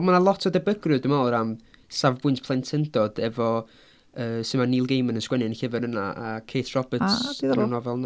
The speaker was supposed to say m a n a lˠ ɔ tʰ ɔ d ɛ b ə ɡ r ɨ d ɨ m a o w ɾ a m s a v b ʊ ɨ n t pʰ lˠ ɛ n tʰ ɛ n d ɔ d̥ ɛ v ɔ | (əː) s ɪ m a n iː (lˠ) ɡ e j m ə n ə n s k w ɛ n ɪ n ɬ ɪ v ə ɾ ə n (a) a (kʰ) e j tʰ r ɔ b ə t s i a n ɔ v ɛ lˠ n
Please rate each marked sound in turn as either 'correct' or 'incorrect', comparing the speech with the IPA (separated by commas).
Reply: correct, correct, correct, correct